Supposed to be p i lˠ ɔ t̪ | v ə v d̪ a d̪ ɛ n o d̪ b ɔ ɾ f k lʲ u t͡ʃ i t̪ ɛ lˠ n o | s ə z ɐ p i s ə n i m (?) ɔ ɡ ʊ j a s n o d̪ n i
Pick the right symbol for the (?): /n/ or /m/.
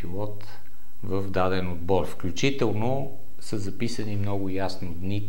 n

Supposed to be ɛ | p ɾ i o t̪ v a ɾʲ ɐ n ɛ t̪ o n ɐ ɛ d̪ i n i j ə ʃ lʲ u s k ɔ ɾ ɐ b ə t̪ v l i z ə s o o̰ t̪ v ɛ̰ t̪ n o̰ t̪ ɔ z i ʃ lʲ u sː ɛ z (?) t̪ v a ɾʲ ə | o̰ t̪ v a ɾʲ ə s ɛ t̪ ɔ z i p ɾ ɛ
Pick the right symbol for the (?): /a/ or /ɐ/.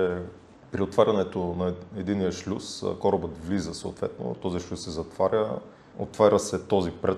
ɐ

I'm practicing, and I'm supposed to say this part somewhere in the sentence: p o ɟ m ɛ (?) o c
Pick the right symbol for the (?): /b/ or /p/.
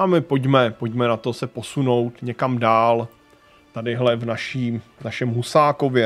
p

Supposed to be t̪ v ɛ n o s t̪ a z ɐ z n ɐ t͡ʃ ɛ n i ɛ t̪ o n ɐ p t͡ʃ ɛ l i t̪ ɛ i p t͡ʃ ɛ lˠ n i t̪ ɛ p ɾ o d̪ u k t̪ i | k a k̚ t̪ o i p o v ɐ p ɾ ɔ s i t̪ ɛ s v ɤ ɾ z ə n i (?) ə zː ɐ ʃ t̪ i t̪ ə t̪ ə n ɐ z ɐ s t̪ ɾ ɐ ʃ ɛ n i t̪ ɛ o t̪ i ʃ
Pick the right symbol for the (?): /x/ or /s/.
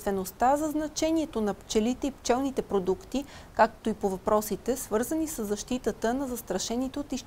s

